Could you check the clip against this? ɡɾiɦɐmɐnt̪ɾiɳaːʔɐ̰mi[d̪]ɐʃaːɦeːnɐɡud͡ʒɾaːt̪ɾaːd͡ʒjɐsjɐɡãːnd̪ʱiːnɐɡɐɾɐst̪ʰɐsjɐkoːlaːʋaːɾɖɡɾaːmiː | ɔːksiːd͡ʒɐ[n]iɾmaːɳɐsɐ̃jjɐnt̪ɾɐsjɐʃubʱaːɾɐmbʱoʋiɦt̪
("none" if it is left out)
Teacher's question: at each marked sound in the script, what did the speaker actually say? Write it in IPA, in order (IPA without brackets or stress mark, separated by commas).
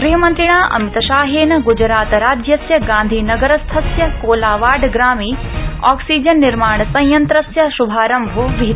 t̪, nː